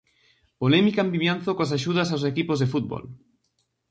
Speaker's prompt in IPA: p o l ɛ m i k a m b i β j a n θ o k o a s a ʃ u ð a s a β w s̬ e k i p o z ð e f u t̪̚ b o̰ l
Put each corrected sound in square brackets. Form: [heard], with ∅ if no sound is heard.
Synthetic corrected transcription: p o l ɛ m i k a m b i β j a n θ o k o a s a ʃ u ð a s a [∅] w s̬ e k i p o z ð e f u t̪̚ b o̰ l